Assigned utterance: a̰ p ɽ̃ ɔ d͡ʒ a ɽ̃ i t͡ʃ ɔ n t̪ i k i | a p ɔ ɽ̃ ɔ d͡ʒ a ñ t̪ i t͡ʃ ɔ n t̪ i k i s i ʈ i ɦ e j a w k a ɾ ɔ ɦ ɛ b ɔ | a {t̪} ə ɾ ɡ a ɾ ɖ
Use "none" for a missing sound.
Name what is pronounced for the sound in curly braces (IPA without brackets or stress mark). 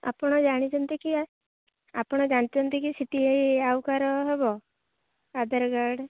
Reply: d̪